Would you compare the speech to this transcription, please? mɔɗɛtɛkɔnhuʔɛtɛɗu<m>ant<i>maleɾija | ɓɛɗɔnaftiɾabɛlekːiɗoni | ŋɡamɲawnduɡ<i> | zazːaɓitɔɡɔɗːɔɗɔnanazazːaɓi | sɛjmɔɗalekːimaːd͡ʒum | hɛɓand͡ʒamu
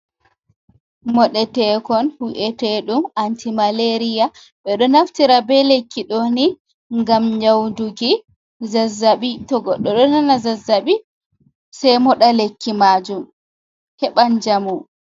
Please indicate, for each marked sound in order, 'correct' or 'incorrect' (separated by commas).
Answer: correct, correct, correct